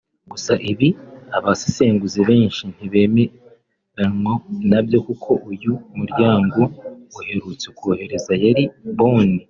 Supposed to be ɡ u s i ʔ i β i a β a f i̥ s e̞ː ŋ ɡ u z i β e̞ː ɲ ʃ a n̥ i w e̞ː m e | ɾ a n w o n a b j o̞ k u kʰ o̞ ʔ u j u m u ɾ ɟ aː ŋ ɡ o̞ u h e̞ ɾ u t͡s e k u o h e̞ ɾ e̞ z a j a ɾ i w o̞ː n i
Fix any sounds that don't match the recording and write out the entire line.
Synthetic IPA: ɡ u s a ʔ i β i a β a s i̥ s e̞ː ŋ ɡ u z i β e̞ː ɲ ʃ i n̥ i β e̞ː m e | ɾ a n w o n a b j o̞ k u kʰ o̞ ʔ u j u m u ɾ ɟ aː ŋ ɡ o̞ u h e̞ ɾ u t͡s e k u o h e̞ ɾ e̞ z a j a ɾ i β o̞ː n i